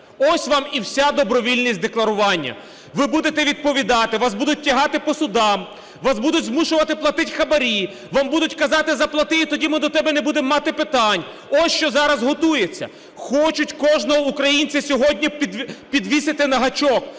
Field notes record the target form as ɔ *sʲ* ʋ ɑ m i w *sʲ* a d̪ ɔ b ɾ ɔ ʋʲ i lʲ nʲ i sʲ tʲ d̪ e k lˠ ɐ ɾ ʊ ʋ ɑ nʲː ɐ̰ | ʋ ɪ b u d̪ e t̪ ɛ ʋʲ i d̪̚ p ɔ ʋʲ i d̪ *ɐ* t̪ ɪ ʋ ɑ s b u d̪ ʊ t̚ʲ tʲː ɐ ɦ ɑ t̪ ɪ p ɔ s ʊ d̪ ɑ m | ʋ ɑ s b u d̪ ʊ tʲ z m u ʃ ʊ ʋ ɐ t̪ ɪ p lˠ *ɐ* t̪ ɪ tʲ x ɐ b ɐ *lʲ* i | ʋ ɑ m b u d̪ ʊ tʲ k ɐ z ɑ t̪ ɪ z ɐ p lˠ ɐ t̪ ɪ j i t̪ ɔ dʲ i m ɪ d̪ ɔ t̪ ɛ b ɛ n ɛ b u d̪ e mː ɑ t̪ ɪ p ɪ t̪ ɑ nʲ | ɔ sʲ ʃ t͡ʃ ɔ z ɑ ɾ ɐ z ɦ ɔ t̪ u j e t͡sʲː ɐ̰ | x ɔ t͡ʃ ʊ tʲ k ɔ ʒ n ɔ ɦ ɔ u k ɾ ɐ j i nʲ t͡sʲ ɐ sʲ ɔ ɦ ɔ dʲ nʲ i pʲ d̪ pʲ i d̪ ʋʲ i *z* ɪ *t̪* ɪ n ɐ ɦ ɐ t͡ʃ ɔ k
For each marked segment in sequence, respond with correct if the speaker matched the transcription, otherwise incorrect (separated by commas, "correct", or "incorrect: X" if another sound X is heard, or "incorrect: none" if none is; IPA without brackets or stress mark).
correct, correct, incorrect: ɑ, correct, incorrect: ɾʲ, incorrect: s, correct